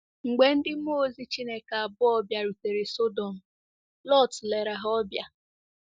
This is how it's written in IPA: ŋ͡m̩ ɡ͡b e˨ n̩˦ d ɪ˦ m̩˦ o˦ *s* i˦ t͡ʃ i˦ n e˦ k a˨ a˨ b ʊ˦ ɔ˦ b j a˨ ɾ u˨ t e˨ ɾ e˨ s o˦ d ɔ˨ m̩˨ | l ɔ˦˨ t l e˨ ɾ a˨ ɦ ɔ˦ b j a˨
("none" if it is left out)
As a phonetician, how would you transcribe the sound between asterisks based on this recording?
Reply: z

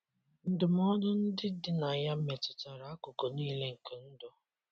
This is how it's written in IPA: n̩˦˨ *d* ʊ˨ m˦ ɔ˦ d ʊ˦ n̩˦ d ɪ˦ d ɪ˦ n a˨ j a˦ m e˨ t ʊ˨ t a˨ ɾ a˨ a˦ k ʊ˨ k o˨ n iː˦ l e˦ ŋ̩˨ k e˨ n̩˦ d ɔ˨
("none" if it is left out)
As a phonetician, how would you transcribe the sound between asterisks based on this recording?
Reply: d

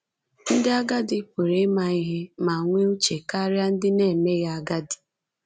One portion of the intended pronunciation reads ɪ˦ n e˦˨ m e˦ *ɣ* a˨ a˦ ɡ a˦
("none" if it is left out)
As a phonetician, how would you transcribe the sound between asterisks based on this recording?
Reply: ɣ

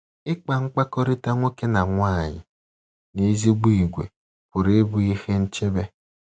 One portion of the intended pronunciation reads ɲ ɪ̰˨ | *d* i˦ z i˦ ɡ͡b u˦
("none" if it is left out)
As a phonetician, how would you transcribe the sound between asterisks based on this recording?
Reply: n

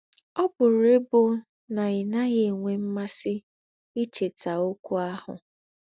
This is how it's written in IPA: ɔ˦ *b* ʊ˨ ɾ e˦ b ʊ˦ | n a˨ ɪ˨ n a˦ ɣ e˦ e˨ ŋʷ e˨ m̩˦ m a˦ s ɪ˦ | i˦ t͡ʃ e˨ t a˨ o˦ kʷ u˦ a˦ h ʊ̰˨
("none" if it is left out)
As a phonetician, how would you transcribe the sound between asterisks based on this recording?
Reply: b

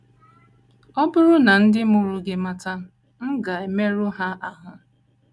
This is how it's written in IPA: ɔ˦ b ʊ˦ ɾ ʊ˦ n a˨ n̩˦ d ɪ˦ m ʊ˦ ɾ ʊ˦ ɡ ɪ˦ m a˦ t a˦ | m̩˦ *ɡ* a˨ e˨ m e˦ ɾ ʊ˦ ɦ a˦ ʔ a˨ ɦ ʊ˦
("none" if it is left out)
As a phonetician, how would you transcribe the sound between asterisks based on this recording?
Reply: ɡ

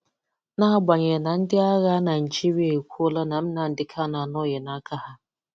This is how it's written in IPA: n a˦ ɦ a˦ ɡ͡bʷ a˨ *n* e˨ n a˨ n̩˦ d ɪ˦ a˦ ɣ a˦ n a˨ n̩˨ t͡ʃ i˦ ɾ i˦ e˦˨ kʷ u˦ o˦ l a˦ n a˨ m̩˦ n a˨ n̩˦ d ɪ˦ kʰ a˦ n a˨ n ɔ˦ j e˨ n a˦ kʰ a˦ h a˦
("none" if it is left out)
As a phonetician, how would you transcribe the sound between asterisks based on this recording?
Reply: ɲ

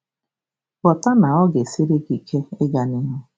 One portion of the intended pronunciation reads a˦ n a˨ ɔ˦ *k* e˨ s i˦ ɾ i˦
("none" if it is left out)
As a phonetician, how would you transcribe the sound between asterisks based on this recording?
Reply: ɡ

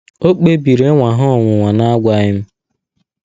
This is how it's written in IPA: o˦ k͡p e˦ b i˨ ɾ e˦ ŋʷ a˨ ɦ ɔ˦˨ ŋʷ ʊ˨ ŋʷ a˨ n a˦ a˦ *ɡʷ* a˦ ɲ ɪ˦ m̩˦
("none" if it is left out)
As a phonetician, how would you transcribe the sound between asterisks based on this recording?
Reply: ɡʷ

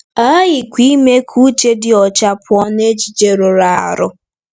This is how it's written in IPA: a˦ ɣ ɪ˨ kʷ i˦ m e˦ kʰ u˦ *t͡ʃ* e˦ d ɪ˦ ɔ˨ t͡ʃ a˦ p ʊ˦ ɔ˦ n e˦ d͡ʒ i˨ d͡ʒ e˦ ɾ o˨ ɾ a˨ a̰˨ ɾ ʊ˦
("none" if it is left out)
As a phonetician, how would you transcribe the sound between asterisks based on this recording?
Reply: t͡ʃ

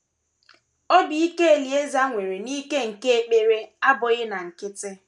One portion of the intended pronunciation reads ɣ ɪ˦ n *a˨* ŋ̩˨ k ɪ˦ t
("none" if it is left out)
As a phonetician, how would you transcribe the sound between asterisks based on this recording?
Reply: a˨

